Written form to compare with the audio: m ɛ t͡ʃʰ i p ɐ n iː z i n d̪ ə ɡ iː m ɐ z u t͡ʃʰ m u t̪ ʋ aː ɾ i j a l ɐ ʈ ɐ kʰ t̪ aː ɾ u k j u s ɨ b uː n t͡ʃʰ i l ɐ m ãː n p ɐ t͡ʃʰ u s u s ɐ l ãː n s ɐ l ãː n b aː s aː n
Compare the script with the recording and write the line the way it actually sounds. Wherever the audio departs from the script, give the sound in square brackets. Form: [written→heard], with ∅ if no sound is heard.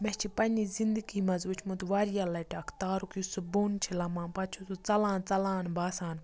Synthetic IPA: m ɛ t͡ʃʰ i p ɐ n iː z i n d̪ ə ɡ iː m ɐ z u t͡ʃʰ m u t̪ ʋ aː ɾ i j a l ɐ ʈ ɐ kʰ t̪ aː ɾ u k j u s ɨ b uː n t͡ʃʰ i l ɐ m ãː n p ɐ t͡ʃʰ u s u [s→t͡s] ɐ l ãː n [s→t͡s] ɐ l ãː n b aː s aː n